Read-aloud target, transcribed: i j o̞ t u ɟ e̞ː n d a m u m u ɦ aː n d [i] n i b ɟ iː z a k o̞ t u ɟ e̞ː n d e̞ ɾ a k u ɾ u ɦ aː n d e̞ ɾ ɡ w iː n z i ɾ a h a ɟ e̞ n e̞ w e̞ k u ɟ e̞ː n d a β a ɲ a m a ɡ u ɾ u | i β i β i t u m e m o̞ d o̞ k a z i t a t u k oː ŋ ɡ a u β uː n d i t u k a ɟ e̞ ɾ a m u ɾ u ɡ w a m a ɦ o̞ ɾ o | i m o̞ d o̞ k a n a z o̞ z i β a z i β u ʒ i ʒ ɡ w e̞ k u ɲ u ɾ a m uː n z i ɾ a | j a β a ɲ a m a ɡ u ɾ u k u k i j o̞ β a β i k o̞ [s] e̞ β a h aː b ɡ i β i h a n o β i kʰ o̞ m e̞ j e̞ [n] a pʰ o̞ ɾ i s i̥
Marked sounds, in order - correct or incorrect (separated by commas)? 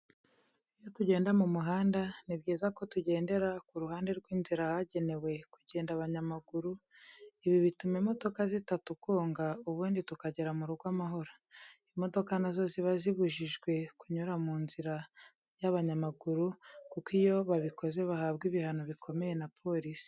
incorrect, incorrect, correct